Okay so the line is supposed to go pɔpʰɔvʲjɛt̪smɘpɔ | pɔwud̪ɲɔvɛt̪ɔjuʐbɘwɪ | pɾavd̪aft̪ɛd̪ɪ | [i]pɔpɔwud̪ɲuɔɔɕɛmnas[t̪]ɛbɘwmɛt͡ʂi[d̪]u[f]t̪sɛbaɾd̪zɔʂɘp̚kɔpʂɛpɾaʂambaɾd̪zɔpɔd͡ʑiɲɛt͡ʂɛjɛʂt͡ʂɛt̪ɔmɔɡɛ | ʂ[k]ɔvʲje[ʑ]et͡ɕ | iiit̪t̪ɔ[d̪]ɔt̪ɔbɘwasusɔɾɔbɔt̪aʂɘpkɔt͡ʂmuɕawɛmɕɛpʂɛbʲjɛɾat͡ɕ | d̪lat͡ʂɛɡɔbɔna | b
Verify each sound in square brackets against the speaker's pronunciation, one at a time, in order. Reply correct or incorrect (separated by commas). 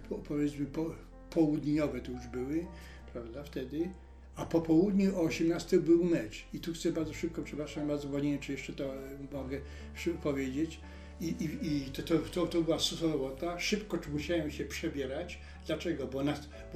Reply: incorrect, correct, incorrect, incorrect, incorrect, incorrect, incorrect